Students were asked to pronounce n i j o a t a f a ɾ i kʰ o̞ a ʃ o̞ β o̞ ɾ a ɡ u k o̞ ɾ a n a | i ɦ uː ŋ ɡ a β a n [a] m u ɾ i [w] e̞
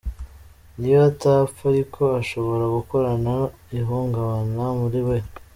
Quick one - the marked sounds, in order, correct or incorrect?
correct, correct

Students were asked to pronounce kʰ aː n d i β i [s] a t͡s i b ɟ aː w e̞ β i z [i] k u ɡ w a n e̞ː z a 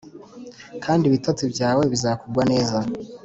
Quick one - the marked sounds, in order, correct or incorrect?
incorrect, incorrect

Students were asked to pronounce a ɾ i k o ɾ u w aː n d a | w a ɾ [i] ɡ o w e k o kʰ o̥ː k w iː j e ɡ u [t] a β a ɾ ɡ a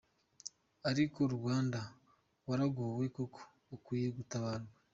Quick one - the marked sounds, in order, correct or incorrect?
incorrect, correct

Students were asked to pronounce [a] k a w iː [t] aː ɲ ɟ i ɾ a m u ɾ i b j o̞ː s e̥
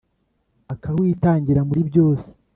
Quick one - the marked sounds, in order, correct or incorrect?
correct, correct

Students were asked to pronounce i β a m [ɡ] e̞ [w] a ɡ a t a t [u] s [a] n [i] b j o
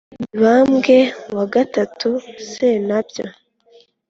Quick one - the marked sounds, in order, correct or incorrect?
correct, correct, correct, incorrect, incorrect

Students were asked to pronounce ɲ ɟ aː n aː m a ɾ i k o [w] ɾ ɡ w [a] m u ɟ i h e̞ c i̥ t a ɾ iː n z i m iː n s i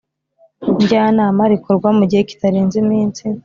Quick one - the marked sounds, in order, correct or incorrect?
incorrect, correct

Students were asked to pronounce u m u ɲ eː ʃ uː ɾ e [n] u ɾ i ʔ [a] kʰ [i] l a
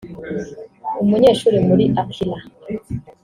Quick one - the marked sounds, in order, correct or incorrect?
incorrect, correct, correct

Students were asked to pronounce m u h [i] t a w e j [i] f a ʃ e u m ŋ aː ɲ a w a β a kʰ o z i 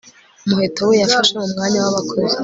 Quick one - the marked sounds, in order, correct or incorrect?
incorrect, incorrect

